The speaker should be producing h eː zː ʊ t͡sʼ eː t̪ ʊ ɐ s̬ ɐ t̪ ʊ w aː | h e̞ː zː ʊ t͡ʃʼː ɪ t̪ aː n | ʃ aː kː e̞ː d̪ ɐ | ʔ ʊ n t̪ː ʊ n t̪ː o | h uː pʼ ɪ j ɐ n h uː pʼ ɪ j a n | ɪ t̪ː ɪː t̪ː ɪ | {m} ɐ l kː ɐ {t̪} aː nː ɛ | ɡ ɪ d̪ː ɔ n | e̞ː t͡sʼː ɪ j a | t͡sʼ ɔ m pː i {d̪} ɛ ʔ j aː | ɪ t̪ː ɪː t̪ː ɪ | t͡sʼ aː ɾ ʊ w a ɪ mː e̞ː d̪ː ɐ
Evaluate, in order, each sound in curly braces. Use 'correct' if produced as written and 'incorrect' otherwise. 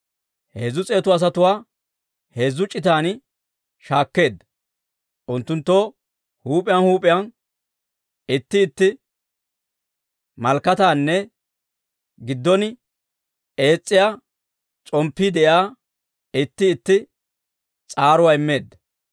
correct, correct, correct

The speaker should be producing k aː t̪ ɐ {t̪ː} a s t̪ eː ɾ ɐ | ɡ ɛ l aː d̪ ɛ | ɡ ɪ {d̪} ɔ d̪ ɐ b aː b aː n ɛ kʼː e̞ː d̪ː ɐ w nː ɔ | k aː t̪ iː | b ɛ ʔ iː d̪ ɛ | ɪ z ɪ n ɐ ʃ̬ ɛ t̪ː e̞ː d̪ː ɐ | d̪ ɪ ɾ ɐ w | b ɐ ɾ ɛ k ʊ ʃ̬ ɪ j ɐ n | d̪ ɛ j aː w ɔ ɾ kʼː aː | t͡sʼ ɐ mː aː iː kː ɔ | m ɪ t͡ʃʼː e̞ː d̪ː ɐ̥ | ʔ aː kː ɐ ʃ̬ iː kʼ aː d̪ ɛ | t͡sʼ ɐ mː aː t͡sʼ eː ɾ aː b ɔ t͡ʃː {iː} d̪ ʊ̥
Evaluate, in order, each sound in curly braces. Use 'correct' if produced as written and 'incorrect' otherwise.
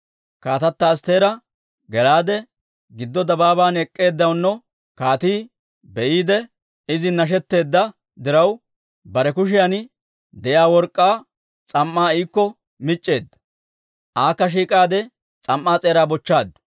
correct, incorrect: d̪ː, incorrect: aː

